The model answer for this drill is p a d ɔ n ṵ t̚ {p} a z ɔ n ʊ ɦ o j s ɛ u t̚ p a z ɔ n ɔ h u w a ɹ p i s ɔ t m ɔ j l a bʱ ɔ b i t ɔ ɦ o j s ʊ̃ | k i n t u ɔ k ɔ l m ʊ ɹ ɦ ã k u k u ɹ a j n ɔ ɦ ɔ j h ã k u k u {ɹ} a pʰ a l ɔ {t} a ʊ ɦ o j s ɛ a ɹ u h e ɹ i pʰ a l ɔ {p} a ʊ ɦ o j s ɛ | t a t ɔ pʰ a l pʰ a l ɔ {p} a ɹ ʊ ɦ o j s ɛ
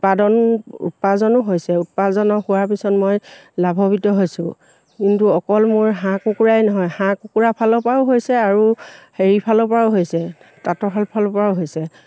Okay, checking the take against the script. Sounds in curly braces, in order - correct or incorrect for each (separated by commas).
correct, correct, incorrect, correct, correct